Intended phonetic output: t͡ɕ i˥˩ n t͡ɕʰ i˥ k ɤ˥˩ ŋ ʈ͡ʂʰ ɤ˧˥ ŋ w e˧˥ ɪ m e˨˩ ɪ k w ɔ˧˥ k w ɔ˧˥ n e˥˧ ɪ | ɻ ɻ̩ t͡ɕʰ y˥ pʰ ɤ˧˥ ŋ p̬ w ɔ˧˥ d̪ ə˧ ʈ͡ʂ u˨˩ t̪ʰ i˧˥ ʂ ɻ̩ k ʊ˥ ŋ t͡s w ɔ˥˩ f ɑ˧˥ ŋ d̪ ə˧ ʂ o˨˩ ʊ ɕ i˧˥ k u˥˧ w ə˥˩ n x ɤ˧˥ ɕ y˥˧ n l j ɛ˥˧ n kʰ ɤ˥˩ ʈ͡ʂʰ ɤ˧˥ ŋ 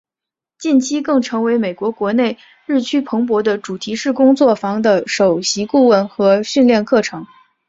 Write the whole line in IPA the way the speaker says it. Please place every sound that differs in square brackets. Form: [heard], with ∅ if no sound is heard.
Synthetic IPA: t͡ɕ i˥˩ n t͡ɕʰ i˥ k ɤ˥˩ ŋ ʈ͡ʂʰ ɤ˧˥ ŋ w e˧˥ ɪ m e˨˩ ɪ k w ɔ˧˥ k w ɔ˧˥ n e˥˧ ɪ | ɻ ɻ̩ t͡ɕʰ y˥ pʰ ɤ˧˥ ŋ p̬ w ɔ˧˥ d̪ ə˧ ʈ͡ʂ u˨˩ t̪ʰ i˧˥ ʂ ɻ̩ k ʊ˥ ŋ t͡s w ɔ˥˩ f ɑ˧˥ ŋ d̪ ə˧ ʂ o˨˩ ʊ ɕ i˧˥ k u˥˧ w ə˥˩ n x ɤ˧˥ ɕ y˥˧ n l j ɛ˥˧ n kʰ ɤ˥˩ ʈ͡ʂʰ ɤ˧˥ ŋ